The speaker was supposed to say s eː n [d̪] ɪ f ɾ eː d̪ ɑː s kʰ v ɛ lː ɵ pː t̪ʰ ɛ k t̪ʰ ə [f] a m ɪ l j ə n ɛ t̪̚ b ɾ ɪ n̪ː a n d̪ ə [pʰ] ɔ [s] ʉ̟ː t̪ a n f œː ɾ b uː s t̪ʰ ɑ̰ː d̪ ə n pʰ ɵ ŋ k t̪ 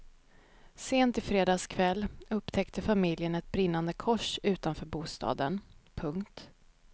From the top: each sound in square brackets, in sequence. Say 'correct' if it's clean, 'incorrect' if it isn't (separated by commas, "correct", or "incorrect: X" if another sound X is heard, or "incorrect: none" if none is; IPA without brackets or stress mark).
incorrect: t̪, correct, incorrect: kʰ, incorrect: ʂ